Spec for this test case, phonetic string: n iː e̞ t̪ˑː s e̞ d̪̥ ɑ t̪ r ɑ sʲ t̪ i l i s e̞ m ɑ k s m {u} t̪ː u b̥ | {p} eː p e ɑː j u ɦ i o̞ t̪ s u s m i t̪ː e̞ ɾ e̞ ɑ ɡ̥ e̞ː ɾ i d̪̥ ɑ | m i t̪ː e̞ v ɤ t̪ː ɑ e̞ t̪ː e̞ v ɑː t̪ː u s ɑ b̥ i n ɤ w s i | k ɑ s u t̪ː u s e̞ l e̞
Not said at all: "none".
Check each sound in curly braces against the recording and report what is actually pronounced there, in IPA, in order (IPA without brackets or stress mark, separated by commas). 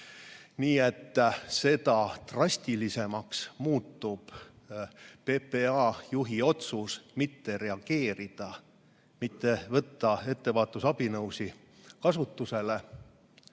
uː, p